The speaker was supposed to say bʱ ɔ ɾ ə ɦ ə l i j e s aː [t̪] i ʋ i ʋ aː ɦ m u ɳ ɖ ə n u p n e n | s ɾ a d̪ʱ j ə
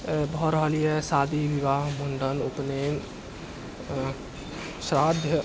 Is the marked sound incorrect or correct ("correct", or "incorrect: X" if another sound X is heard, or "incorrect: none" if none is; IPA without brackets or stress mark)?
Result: incorrect: d̪